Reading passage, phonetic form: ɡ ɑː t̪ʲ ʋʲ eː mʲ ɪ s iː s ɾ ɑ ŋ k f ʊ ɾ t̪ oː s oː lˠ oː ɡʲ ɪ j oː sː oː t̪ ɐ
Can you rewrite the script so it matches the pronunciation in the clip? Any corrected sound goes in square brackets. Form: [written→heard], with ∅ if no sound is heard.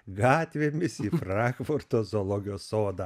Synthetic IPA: ɡ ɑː t̪ʲ ʋʲ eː mʲ ɪ s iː [s→f] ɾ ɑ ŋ k f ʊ ɾ t̪ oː [s→z] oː lˠ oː ɡʲ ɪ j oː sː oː [t̪→d̪] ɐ